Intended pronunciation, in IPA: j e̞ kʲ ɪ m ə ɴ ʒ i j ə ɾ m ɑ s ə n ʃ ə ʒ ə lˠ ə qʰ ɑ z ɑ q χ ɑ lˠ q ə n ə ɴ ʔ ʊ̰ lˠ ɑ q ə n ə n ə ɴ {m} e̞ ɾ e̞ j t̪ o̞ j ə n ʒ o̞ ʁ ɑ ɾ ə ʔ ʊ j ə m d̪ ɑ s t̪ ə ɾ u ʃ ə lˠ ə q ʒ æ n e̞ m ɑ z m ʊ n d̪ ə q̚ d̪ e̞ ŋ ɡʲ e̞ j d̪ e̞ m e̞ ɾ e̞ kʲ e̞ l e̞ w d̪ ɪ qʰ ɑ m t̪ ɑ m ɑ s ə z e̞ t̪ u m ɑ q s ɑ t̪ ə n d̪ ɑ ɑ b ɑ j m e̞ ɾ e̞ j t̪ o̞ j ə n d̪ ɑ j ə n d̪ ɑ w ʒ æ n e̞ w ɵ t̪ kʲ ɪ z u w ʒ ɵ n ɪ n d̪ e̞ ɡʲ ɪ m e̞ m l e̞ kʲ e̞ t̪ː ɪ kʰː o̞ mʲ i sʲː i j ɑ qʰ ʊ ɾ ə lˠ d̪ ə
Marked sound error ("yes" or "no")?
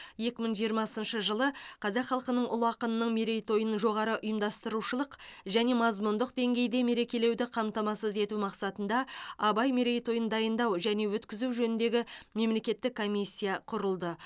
no